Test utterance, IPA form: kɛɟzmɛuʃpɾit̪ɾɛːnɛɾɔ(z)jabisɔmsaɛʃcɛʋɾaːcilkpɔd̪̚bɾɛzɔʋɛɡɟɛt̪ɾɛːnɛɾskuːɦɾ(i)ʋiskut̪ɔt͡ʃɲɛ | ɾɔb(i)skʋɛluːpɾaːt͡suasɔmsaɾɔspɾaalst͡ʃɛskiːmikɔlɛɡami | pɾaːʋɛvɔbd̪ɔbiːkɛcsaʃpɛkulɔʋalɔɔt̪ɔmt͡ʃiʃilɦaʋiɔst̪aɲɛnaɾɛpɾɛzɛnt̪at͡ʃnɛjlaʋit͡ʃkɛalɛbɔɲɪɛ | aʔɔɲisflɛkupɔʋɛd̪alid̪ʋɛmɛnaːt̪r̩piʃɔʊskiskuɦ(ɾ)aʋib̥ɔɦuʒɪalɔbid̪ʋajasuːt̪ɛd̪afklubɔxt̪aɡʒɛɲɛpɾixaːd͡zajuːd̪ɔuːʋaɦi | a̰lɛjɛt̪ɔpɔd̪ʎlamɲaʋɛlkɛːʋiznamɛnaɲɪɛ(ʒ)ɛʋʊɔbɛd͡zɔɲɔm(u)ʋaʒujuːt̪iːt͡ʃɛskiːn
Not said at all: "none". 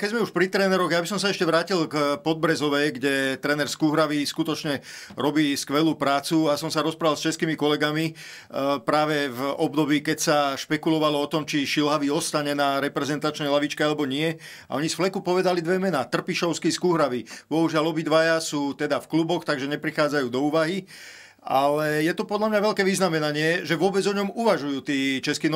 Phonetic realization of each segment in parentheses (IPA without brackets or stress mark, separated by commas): ɣ, a, iː, ɾ, ʒ, u